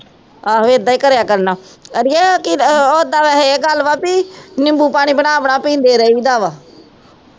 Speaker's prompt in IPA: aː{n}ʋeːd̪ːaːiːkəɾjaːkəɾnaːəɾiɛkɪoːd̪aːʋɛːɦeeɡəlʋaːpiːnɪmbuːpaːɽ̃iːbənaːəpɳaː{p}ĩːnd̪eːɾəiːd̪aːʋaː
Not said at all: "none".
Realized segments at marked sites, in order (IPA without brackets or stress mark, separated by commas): none, p